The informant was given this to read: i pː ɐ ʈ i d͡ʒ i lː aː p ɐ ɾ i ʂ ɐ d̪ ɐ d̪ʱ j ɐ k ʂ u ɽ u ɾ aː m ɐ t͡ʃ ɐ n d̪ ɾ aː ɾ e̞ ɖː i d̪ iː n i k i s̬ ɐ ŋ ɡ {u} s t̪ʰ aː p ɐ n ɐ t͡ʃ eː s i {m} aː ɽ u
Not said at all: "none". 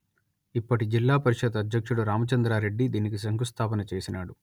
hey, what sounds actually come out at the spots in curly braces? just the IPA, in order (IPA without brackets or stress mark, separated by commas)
u, n